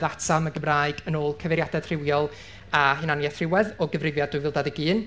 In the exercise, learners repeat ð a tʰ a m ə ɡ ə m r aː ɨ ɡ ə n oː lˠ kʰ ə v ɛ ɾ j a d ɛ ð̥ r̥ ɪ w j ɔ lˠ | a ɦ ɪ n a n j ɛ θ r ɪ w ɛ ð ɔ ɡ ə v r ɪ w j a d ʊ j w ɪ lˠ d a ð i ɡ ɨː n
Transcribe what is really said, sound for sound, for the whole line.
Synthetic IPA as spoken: ð a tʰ a m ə ɡ ə m r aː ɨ ɡ ə n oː lˠ kʰ ə v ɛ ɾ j a d ɛ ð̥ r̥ ɪ w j ɔ lˠ | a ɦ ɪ n a n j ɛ θ r ɪ w ɛ ð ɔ ɡ ə v r ɪ v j a d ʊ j v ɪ lˠ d a ð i ɡ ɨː n

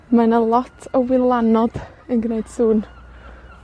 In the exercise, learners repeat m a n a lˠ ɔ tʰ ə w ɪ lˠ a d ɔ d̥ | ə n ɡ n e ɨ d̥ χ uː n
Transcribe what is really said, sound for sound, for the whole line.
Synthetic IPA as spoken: m a n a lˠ ɔ tʰ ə w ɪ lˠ a n ɔ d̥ | ə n ɡ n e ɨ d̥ s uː n

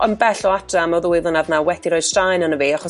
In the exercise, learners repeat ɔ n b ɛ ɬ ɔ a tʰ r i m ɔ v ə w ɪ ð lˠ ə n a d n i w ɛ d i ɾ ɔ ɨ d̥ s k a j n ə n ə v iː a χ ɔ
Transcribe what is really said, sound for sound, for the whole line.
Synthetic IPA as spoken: ɔ n b ɛ ɬ ɔ a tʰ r a m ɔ ð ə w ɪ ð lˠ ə n a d n a w ɛ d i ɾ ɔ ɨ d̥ s t a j n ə n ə v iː a χ ɔ

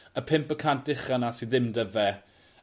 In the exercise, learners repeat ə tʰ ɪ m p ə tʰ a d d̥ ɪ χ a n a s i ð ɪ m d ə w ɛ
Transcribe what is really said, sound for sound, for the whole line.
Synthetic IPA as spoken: ə pʰ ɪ m p ə kʰ a n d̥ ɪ χ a n a s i ð ɪ m d ə v ɛ

